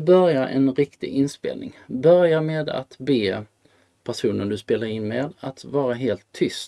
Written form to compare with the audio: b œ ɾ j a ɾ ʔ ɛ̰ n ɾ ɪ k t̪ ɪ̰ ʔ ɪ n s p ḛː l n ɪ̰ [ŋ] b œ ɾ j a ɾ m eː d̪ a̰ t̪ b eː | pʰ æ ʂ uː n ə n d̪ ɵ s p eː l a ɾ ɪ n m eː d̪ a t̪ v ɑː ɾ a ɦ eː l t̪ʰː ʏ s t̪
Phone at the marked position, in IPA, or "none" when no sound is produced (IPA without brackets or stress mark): ŋ